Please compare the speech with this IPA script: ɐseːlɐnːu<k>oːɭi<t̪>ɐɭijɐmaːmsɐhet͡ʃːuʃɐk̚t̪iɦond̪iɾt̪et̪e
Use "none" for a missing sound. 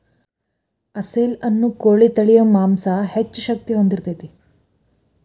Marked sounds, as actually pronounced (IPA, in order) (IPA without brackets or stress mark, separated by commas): k, t̪